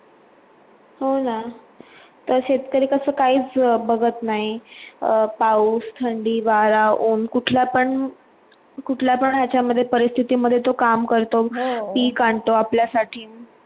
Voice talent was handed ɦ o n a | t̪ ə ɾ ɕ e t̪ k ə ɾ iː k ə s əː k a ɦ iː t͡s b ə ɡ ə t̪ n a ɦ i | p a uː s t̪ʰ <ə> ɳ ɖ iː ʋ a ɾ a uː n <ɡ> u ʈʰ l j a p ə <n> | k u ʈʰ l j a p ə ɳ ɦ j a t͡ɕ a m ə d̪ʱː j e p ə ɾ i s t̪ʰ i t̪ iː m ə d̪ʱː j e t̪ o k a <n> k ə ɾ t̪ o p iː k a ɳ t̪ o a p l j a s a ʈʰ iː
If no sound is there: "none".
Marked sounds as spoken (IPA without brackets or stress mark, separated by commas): ə, k, ɳ, m